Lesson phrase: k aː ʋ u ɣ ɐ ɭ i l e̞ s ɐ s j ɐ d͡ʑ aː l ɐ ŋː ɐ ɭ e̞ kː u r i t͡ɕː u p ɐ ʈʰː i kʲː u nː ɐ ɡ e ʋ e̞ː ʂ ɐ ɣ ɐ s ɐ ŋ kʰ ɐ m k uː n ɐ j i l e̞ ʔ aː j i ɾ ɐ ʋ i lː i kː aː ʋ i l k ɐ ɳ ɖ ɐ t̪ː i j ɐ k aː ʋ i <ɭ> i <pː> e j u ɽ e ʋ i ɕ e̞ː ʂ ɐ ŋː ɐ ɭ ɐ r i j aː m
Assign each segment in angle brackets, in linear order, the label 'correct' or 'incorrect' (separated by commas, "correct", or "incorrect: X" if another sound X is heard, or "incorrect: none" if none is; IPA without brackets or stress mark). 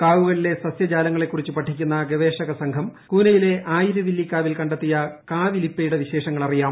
incorrect: l, correct